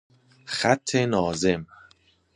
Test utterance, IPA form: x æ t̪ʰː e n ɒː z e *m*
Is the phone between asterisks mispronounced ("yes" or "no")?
no